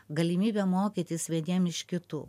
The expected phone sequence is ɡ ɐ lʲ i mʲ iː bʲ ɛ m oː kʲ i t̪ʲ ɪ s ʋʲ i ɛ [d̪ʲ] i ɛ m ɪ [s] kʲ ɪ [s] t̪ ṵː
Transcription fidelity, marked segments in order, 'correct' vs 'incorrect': correct, incorrect: ʃ, incorrect: none

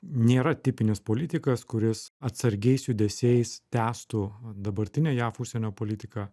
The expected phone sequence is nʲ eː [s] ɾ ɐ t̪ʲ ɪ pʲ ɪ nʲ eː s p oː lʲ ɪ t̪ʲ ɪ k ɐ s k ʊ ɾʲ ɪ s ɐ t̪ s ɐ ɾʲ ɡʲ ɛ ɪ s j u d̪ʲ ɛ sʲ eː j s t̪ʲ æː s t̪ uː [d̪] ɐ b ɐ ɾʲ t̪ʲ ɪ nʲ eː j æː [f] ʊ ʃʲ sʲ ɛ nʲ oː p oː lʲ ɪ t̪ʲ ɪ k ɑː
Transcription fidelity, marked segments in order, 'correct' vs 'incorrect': incorrect: none, correct, correct

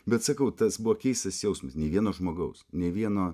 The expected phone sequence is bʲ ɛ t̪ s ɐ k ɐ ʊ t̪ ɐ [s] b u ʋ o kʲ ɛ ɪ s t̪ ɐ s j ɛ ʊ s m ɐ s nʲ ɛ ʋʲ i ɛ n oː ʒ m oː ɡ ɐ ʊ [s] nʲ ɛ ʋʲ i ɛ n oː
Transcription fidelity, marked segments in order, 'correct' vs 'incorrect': correct, correct

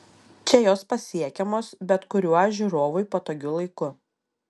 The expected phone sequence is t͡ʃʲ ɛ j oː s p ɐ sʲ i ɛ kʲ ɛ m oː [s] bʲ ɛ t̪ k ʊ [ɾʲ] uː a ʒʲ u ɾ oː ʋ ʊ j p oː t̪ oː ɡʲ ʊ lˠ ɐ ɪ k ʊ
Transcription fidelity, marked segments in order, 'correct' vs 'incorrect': correct, correct

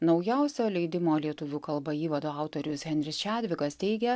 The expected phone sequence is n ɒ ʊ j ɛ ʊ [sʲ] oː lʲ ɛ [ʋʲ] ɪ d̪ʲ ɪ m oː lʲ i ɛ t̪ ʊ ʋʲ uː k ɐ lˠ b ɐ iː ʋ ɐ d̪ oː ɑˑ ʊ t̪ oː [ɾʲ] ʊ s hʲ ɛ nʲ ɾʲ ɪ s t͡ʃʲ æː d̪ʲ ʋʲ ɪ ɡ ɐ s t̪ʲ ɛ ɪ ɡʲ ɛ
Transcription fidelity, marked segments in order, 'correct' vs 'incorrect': correct, incorrect: none, correct

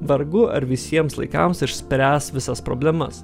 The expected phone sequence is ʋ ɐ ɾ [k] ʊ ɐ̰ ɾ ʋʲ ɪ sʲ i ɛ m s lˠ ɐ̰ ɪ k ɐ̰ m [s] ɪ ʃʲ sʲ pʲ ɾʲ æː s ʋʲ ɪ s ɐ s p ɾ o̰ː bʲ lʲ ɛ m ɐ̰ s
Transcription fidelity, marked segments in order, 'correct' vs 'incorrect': incorrect: ɡ, correct

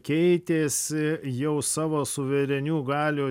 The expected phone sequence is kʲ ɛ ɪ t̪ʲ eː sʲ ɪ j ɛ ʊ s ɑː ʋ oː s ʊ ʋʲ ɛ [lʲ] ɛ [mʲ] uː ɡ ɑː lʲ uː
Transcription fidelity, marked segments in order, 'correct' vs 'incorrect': incorrect: ɾʲ, incorrect: nʲ

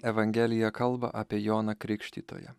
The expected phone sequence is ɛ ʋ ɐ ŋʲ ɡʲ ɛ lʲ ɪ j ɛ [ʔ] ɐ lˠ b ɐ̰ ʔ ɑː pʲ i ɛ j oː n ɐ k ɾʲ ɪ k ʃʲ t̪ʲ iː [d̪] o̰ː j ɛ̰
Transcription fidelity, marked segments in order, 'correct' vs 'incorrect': incorrect: k, incorrect: t̪

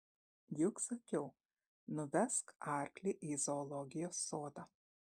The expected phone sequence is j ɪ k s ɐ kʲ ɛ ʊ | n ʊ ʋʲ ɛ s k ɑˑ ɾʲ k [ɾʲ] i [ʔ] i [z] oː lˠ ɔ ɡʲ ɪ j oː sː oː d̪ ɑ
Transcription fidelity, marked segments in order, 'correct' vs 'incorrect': incorrect: lʲ, correct, correct

